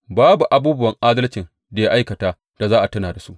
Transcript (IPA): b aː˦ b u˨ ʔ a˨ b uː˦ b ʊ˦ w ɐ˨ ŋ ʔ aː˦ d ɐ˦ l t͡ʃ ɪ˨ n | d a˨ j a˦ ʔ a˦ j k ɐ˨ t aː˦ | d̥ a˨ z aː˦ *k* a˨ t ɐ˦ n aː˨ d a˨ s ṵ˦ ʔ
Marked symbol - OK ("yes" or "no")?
no